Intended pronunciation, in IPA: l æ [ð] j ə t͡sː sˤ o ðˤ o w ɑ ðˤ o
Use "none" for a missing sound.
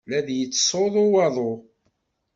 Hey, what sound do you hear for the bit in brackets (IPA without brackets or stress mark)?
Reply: ð